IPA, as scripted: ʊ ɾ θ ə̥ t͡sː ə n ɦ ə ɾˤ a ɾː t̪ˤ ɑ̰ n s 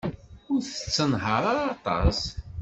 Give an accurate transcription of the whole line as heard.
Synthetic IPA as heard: ʊ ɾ θ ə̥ t͡sː ə n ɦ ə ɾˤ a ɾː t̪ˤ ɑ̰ s